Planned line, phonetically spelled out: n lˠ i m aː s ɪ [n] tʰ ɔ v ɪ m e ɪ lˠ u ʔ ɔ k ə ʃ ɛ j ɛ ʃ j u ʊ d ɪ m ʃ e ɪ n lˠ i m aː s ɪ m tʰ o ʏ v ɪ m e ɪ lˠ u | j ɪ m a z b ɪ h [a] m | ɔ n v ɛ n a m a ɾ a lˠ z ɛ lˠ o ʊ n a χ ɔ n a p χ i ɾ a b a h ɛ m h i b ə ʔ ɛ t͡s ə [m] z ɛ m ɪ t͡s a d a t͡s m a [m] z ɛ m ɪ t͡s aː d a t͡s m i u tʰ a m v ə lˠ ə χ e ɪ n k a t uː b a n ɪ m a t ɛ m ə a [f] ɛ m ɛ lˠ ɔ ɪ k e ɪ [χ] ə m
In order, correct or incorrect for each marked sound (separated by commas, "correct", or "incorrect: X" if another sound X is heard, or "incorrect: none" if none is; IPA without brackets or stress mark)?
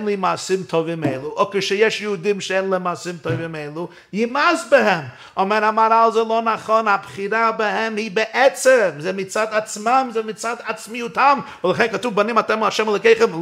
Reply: incorrect: m, incorrect: ɛ, correct, correct, incorrect: ʃ, correct